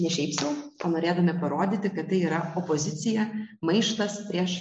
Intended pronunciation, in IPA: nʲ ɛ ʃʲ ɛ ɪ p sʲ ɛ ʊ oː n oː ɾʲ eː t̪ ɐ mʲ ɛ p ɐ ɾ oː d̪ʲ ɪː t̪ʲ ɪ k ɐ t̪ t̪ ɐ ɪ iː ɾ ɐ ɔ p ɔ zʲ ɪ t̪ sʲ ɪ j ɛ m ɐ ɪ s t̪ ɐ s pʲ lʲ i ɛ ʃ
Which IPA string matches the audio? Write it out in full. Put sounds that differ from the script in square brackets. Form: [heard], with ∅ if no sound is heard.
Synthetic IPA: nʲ ɛ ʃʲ ɛ ɪ p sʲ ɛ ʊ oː n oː ɾʲ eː [d̪] ɐ mʲ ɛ p ɐ ɾ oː d̪ʲ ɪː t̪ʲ ɪ k ɐ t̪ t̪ ɐ ɪ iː ɾ ɐ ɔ p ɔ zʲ ɪ t̪ sʲ ɪ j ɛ m ɐ ɪ [ʃ] t̪ ɐ s pʲ [ɾʲ] i ɛ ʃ

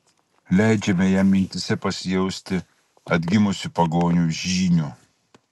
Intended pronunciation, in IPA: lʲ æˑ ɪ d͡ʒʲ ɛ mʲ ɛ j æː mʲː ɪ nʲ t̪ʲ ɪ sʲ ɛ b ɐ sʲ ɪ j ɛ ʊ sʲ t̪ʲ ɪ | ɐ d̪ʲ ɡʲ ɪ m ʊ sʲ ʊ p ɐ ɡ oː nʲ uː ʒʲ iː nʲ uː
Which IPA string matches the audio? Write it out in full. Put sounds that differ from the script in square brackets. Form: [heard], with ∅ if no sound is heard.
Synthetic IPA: lʲ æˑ ɪ d͡ʒʲ ɛ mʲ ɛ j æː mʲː ɪ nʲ t̪ʲ ɪ sʲ ɛ [p] ɐ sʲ ɪ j ɛ ʊ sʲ t̪ʲ ɪ | ɐ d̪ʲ ɡʲ ɪ m ʊ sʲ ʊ p ɐ ɡ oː nʲ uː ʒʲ iː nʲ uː

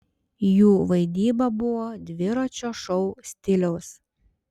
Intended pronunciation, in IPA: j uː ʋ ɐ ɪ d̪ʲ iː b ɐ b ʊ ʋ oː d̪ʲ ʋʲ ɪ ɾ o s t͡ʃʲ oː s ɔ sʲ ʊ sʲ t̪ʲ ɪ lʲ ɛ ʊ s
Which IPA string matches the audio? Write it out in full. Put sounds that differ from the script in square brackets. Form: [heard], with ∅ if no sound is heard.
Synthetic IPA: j uː ʋ ɐ ɪ d̪ʲ iː b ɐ b ʊ ʋ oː d̪ʲ ʋʲ ɪ ɾ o [∅] t͡ʃʲ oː [ʃ] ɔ [∅] ʊ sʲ t̪ʲ ɪ lʲ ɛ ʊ s

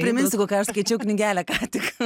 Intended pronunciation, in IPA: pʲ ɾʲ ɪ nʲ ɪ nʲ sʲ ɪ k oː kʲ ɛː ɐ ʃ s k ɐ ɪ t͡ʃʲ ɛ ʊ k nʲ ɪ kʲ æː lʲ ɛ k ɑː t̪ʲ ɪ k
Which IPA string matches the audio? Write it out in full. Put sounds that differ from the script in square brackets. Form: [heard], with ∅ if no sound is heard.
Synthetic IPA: pʲ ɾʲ ɪ [mʲ] ɪ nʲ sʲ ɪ k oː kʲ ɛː ɐ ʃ s k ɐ ɪ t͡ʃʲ ɛ ʊ k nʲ ɪ [ɡʲ] æː lʲ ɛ k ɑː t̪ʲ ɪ k

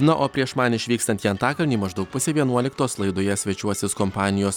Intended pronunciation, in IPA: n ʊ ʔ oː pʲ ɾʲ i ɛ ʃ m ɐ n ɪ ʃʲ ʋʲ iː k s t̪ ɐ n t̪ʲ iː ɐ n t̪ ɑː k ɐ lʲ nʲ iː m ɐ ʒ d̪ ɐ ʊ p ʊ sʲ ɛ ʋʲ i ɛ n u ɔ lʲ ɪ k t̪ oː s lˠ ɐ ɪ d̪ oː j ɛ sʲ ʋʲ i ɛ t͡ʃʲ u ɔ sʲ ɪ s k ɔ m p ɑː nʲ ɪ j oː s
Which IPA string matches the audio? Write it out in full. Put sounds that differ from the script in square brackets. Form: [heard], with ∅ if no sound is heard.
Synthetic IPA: n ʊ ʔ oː pʲ ɾʲ i ɛ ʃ m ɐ n ɪ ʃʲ ʋʲ iː k s t̪ ɐ n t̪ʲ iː ɐ n t̪ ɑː k ɐ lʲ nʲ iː m ɐ ʒ d̪ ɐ ʊ p ʊ sʲ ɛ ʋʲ i ɛ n u ɔ lʲ ɪ k t̪ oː s lˠ ɐ ɪ d̪ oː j ɛ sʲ ʋʲ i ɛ t͡ʃʲ u ɔ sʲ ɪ s k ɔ m p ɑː nʲ ɪ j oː s

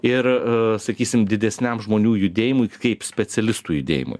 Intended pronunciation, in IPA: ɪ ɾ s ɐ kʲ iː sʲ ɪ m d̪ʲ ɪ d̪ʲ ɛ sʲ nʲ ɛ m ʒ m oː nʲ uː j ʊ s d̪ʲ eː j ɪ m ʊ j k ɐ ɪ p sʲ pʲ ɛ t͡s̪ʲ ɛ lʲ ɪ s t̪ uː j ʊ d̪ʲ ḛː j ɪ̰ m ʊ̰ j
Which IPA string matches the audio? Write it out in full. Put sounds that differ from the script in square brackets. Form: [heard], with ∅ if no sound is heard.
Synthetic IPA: ɪ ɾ s ɐ kʲ iː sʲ ɪ m d̪ʲ ɪ d̪ʲ ɛ sʲ nʲ ɛ m ʒ m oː nʲ uː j ʊ [∅] d̪ʲ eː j ɪ m ʊ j k ɐ ɪ p sʲ pʲ ɛ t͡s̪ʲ ɛ lʲ ɪ s t̪ uː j ʊ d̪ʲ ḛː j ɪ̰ m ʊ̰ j

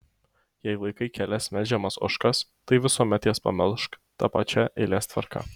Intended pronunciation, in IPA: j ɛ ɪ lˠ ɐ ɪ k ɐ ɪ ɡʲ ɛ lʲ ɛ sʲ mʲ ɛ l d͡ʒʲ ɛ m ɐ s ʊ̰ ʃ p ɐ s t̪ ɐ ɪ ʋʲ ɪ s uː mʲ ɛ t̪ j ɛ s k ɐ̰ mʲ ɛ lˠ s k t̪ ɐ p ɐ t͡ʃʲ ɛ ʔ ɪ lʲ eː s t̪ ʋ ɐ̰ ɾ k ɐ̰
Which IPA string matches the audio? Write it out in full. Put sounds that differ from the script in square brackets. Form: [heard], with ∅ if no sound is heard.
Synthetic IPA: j ɛ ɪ lˠ ɐ ɪ k ɐ ɪ [kʲ] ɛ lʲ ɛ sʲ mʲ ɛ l d͡ʒʲ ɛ m ɐ s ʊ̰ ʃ [k] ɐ s t̪ ɐ ɪ ʋʲ ɪ s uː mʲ ɛ t̪ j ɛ s [p] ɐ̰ mʲ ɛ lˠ [ʃ] k t̪ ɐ p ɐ t͡ʃʲ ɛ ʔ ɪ lʲ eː s t̪ ʋ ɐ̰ ɾ k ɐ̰

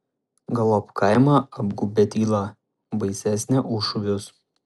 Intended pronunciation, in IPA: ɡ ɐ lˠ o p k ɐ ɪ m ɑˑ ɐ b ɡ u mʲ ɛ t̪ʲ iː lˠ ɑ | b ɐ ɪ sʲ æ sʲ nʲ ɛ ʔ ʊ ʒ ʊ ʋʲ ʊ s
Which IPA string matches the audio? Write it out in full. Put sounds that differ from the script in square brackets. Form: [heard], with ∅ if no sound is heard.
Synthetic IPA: ɡ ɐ lˠ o p k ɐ ɪ m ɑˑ ɐ b ɡ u [bʲ] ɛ t̪ʲ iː lˠ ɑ | b ɐ ɪ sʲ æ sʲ nʲ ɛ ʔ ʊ [ʃ] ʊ ʋʲ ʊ s

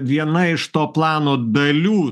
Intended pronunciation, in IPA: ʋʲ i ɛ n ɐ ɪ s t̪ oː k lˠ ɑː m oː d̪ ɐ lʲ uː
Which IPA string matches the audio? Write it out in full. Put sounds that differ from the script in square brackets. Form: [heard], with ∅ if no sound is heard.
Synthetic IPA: ʋʲ i ɛ n ɐ ɪ [ʃ] t̪ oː [p] lˠ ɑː [n] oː d̪ ɐ lʲ uː

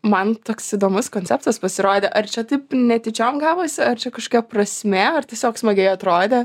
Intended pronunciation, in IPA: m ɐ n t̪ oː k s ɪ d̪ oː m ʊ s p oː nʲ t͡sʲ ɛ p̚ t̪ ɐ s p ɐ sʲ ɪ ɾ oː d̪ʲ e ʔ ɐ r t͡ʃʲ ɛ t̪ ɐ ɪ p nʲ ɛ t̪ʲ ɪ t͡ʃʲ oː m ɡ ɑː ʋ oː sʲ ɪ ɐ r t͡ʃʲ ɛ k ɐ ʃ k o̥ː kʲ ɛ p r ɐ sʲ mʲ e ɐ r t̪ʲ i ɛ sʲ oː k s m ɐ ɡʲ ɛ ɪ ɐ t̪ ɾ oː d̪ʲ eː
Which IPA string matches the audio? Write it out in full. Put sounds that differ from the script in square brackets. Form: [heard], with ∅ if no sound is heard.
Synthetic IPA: m ɐ n t̪ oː k s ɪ d̪ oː m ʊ s [k] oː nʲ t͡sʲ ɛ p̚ t̪ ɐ s p ɐ sʲ ɪ ɾ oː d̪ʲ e ʔ ɐ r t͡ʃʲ ɛ t̪ ɐ ɪ p nʲ ɛ t̪ʲ ɪ t͡ʃʲ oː m ɡ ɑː ʋ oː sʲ ɪ ɐ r t͡ʃʲ ɛ k ɐ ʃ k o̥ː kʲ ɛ p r ɐ sʲ mʲ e ɐ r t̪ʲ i ɛ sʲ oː k s m ɐ ɡʲ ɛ ɪ ɐ t̪ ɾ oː d̪ʲ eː

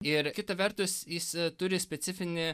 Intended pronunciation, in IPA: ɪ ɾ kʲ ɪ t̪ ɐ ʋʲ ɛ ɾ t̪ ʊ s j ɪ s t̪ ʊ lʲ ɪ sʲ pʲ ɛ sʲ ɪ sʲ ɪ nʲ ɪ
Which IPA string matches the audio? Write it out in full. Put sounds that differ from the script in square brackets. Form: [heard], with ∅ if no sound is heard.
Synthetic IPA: ɪ ɾ kʲ ɪ t̪ ɐ ʋʲ ɛ ɾ t̪ ʊ s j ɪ s t̪ ʊ [ɾʲ] ɪ sʲ pʲ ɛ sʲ ɪ [fʲ] ɪ nʲ ɪ

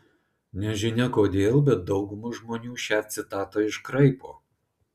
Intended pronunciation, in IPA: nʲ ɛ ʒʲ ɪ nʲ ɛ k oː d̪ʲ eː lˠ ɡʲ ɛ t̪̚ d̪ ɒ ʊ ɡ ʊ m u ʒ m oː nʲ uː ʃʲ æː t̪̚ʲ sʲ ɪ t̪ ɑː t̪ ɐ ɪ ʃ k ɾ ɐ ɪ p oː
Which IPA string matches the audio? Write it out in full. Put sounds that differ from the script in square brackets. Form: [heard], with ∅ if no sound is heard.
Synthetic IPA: nʲ ɛ ʒʲ ɪ nʲ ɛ k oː d̪ʲ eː lˠ [bʲ] ɛ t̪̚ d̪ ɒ ʊ ɡ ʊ m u ʒ m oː nʲ uː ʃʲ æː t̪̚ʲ sʲ ɪ t̪ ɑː t̪ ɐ ɪ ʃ k ɾ ɐ ɪ p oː

